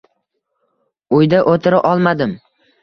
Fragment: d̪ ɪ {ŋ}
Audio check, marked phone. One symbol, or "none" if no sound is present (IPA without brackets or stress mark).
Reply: m